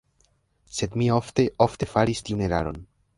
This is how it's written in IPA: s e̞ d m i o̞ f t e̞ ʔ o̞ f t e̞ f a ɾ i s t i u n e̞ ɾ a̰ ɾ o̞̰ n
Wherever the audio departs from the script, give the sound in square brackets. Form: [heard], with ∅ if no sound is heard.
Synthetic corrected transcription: s e̞ d m i o̞ f t e̞ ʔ o̞ f t e̞ f a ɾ i s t i u n e̞ ɾ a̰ ɾ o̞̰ n